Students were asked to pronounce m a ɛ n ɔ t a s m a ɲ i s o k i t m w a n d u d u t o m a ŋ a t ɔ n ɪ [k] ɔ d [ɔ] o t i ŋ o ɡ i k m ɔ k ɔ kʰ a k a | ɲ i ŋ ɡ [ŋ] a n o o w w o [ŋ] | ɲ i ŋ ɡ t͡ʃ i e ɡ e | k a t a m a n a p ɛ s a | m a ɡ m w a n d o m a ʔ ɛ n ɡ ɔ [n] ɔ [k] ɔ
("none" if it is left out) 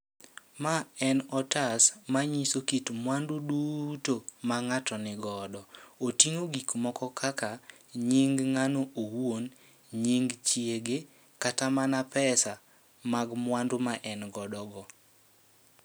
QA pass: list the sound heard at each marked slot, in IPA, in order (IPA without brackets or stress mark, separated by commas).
ɡ, ɔ, ŋ, n, d, ɡ